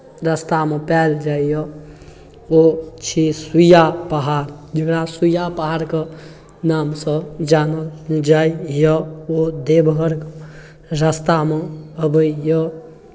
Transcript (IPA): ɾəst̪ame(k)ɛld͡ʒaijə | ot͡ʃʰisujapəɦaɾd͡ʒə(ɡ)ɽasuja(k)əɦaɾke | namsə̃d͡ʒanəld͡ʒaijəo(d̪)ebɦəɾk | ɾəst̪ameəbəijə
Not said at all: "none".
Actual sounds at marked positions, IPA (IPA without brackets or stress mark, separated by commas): p, k, p, d̪